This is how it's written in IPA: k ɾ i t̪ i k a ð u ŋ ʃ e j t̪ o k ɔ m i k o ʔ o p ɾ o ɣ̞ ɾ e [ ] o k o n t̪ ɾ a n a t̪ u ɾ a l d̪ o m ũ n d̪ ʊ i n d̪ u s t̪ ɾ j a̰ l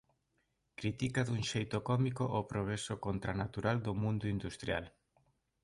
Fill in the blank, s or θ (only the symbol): s